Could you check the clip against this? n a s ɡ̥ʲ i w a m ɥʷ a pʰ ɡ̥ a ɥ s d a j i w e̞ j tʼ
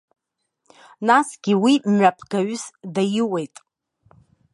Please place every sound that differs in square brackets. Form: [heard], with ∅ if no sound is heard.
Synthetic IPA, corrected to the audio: n a s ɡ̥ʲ i w [i] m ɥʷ a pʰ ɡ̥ a ɥ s d a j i w e̞ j tʼ